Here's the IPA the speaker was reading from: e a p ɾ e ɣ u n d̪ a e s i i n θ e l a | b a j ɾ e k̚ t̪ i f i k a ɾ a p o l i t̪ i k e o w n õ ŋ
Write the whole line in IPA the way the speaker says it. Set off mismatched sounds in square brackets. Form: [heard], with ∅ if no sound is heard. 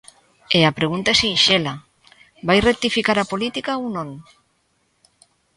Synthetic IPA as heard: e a p ɾ e ɣ u n [t̪] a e s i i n [ʃ] e l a | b a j [r] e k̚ t̪ i f i k a ɾ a p o l i t̪ i k [a] o w n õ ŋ